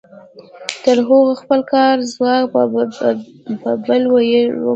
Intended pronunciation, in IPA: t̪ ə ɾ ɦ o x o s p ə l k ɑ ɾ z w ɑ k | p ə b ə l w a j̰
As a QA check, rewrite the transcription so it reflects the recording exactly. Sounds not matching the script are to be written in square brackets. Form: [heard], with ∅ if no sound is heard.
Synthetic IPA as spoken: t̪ ə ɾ ɦ o [ɣ] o [x] p ə l k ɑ ɾ z w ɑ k | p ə b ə l w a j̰